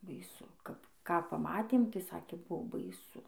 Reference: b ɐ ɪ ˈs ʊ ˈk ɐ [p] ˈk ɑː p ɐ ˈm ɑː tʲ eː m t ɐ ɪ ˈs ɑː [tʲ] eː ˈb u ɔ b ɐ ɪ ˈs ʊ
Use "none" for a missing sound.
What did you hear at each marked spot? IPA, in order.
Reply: p, kʲ

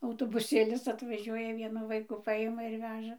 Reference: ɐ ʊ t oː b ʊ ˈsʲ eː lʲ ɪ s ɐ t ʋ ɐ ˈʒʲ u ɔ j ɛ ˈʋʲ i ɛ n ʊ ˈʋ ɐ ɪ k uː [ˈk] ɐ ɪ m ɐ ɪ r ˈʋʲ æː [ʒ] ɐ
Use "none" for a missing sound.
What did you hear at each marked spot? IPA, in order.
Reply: p, ʒ

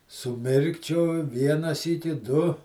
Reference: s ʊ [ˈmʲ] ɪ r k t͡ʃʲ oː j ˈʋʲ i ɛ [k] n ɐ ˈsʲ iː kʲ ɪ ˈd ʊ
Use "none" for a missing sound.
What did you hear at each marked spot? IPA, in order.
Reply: mʲ, none

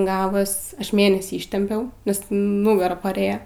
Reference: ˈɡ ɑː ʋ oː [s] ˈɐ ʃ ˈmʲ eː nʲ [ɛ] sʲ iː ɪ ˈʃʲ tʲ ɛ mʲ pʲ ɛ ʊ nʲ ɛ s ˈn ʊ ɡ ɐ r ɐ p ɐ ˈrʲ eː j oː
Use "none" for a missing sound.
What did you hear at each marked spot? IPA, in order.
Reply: s, ɛ

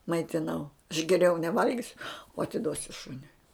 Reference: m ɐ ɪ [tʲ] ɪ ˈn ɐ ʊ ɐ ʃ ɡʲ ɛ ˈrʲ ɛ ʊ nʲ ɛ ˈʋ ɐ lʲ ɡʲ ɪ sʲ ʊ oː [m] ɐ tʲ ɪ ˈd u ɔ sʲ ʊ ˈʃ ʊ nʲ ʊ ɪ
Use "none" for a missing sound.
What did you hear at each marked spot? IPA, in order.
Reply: tʲ, none

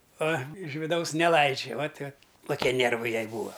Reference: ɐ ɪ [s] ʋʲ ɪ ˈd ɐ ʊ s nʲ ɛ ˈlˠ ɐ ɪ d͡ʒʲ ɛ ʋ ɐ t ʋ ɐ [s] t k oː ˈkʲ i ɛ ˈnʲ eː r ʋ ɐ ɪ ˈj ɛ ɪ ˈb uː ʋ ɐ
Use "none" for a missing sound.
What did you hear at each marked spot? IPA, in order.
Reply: ʃ, none

